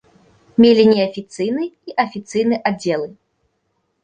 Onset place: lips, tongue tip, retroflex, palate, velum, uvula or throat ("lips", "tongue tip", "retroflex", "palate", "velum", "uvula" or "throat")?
lips